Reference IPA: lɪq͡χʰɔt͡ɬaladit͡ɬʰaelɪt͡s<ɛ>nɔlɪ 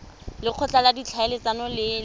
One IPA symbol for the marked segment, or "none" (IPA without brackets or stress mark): a